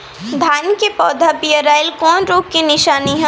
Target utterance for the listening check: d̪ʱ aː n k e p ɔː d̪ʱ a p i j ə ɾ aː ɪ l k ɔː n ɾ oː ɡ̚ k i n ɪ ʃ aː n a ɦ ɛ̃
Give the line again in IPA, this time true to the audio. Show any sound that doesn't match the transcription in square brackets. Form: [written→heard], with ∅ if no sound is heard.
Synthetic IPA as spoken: d̪ʱ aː n k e p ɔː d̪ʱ a p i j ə ɾ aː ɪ l k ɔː n ɾ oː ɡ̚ k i n ɪ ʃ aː n [a→i] ɦ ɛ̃